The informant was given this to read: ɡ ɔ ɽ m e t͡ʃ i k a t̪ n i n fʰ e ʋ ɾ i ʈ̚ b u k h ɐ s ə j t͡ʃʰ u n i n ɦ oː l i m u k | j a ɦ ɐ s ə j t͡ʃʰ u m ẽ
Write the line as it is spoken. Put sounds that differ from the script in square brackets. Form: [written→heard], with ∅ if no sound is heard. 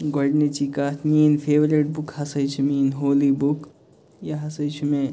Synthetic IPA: ɡ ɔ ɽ [m→n] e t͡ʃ i k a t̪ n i n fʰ e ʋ ɾ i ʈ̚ b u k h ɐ s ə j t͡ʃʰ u [n→m] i n ɦ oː l i [m→b] u k | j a ɦ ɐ s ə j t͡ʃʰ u m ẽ